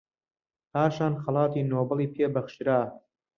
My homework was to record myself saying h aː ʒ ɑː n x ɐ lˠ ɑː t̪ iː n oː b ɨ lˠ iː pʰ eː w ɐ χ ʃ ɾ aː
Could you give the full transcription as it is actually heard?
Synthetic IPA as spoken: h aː ʃ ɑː n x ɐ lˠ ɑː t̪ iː n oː b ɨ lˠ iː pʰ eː b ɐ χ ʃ ɾ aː